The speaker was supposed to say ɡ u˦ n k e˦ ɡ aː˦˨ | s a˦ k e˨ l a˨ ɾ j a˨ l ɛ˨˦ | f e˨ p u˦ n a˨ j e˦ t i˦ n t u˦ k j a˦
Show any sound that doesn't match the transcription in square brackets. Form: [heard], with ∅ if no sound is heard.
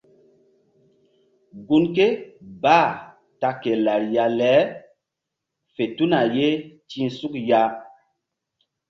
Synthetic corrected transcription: ɡ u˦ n k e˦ [b] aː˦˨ | [t] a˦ k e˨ l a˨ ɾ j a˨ l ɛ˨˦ | f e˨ [t] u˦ n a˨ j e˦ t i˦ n [s] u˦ k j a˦